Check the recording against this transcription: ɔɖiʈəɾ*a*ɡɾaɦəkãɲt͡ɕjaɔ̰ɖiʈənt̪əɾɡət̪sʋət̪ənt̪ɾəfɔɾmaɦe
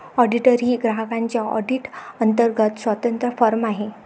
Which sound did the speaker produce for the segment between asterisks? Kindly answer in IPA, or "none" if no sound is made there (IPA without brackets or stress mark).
i